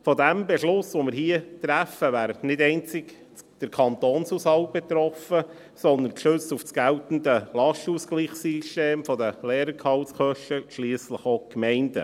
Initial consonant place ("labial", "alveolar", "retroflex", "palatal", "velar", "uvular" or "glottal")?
labial